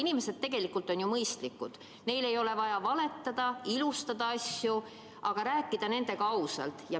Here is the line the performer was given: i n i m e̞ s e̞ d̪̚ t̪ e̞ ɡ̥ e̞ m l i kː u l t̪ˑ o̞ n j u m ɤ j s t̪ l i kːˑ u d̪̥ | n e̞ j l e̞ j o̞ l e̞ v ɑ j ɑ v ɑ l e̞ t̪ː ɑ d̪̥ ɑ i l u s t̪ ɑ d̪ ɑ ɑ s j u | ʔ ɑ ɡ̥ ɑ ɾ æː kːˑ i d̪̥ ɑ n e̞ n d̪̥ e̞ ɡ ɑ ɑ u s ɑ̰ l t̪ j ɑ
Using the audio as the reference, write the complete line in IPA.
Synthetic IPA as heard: i n i m e̞ s e̞ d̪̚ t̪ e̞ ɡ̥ e̞ l i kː u l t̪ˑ o̞ n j u m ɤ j s t̪ l i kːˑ u d̪̥ | n e̞ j l e̞ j o̞ l e̞ v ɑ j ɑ v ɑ l e̞ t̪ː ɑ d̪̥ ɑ i l u s t̪ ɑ d̪ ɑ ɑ s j u | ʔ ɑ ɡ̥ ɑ ɾ æː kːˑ i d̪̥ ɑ n e̞ n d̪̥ e̞ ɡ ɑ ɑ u s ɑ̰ l t̪ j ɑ

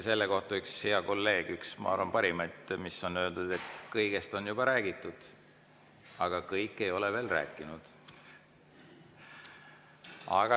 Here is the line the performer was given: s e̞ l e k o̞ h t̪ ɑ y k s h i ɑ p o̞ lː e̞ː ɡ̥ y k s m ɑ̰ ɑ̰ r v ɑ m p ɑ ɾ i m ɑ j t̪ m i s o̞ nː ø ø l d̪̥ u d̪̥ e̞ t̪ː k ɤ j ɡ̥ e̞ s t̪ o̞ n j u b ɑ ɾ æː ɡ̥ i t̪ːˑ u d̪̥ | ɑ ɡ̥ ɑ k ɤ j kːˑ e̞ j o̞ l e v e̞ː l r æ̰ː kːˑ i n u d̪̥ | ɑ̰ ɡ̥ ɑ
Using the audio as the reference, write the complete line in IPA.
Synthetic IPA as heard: s e̞ lː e k o̞ h t̪ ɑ y k s h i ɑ k o̞ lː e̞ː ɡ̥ y k s m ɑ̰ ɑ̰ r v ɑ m p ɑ ɾ i m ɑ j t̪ m i s o̞ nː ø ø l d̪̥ u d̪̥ e̞ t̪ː k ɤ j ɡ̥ e̞ s t̪ o̞ n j u b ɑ ɾ æː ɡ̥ i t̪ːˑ u d̪̥ | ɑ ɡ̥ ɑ k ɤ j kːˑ e̞ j o̞ l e v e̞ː l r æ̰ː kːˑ i n u d̪̥ | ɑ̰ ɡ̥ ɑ

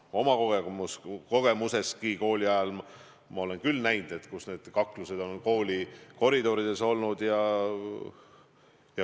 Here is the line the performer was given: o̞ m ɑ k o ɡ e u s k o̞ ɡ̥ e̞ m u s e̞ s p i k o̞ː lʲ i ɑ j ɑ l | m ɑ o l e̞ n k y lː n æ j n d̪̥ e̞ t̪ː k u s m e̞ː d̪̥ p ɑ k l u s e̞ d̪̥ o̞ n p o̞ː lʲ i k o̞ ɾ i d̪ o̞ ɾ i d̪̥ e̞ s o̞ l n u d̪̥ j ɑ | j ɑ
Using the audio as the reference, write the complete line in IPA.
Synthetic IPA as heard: o̞ m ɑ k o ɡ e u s k o̞ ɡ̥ e̞ m u s e̞ s k i k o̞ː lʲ i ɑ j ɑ l | m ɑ o l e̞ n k y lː n æ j n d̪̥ e̞ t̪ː k u s n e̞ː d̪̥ k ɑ k l u s e̞ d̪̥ o̞ n k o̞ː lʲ i k o̞ ɾ i d̪ o̞ ɾ i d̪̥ e̞ s o̞ l n u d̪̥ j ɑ | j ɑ

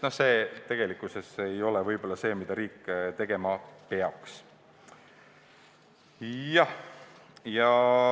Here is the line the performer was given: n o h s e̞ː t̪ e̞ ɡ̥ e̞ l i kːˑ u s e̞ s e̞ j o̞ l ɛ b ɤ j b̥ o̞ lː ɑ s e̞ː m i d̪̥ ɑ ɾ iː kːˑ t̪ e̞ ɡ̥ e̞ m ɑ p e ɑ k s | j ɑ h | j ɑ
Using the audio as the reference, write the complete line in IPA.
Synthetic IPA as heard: n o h s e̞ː t̪ e̞ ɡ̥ e̞ l i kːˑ u s e̞ s e̞ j o̞ l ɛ v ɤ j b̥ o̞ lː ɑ s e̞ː m i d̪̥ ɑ ɾ iː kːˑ t̪ e̞ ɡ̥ e̞ m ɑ p e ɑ k s | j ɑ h | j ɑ

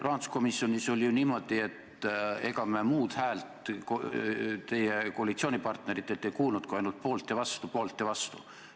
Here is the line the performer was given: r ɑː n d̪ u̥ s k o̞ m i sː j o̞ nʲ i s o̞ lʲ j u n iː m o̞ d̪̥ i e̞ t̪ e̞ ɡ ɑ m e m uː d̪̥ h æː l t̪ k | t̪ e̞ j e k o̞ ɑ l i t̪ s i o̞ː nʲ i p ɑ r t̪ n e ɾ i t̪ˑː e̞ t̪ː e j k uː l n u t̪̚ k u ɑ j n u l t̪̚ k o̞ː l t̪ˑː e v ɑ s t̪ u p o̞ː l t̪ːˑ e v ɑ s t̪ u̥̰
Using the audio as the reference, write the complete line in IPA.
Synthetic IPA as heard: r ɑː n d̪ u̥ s k o̞ m i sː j o̞ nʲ i s o̞ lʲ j u n iː m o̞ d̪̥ i e̞ t̪ e̞ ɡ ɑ m e m uː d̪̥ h æː l t̪ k | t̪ e̞ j e k o̞ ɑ l i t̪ s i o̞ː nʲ i p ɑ r t̪ n e ɾ i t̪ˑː e̞ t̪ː e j k uː l n u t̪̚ k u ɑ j n u l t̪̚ p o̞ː l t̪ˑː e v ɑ s t̪ u p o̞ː l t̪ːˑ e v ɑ s t̪ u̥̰

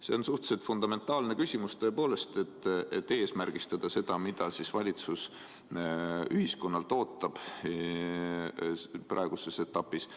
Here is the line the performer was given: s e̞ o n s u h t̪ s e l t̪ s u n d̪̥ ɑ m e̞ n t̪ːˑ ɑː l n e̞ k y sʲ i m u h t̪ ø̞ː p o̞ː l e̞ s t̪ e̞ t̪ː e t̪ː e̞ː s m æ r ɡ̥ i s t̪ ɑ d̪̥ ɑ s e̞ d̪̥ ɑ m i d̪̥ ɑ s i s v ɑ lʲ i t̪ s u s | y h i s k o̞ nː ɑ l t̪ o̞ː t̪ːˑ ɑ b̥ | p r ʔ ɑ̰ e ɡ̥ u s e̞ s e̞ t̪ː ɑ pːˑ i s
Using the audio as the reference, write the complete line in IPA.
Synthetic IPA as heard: s e̞ o n s u h t̪ s e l t̪ f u n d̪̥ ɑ m e̞ n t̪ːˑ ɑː l n e̞ k y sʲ i m u s t̪ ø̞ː p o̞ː l e̞ s t̪ e̞ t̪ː e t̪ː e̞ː s m æ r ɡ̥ i s t̪ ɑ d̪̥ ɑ s e̞ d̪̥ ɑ m i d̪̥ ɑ s i s v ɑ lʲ i t̪ s u s | y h i s k o̞ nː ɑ l t̪ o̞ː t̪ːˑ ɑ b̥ | p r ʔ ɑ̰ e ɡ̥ u s e̞ s e̞ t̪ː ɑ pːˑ i s

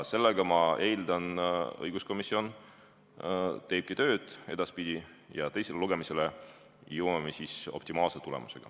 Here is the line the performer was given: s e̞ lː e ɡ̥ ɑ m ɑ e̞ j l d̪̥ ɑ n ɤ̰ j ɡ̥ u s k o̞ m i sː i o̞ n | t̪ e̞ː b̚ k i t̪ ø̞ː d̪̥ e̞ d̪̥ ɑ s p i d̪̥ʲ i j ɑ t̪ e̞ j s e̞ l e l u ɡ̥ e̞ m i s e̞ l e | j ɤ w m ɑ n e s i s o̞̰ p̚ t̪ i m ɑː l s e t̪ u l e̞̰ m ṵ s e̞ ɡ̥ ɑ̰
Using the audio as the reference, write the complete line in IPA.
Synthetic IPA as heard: s e̞ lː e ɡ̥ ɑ m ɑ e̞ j l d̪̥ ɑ n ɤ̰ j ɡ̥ u s k o̞ m i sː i o̞ n | t̪ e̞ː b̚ k i t̪ ø̞ː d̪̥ e̞ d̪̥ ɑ s p i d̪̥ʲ i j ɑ t̪ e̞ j s e̞ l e l u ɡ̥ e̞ m i s e̞ l e | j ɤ w m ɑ m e s i s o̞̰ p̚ t̪ i m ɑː l s e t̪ u l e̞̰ m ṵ s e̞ ɡ̥ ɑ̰

